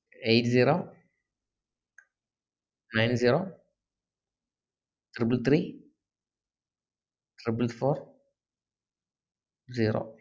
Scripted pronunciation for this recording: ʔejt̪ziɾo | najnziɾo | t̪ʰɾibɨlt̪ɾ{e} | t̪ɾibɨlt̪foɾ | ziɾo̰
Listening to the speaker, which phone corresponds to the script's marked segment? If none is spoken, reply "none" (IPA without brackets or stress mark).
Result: i